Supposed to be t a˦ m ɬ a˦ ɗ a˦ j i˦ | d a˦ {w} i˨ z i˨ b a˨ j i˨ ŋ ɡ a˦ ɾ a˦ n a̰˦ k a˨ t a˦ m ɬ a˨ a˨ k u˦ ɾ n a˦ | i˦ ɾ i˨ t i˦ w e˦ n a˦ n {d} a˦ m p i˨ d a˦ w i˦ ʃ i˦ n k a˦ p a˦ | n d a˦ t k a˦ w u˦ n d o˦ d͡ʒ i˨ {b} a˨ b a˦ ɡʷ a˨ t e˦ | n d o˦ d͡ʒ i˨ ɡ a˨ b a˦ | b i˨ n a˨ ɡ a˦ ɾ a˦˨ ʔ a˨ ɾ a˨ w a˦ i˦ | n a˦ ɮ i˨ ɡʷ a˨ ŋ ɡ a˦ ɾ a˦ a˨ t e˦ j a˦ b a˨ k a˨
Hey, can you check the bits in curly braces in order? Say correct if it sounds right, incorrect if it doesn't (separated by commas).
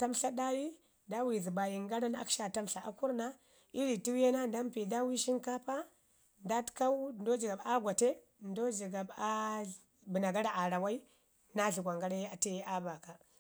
correct, correct, incorrect